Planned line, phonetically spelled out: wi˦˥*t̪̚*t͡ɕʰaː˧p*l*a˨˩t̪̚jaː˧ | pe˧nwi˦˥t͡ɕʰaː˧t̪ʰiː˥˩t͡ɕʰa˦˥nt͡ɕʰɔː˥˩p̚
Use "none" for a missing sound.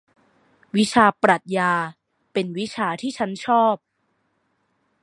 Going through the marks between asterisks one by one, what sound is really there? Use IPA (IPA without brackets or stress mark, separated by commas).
none, ɾ